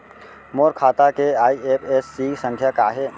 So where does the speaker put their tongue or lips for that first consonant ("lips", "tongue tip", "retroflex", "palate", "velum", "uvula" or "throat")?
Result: lips